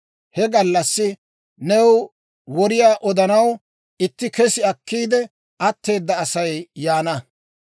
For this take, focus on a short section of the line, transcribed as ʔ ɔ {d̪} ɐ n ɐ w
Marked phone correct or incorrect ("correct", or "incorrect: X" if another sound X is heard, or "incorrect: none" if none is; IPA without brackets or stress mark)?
correct